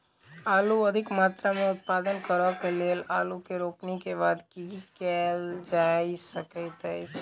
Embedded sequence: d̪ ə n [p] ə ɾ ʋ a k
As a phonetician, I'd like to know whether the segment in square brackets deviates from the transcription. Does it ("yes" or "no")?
yes